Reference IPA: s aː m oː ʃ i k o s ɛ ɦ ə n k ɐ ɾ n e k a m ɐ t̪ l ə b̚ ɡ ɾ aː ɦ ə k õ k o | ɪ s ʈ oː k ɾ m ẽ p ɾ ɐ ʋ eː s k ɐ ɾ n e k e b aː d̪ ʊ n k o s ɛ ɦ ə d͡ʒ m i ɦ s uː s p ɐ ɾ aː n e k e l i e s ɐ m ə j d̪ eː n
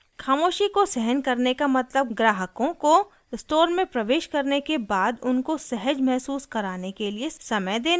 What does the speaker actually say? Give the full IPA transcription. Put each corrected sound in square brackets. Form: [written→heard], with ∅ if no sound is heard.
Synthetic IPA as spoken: [s→x] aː m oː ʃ i k o s ɛ ɦ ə n k ɐ ɾ n e k a m ɐ t̪ l ə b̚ ɡ ɾ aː ɦ ə k õ k o | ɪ s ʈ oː [k→∅] ɾ m ẽ p ɾ ɐ ʋ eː [s→ʃ] k ɐ ɾ n e k e b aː d̪ ʊ n k o s ɛ ɦ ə d͡ʒ m [i→ɛ] ɦ s uː s [p→k] ɐ ɾ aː n e k e l i e s ɐ m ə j d̪ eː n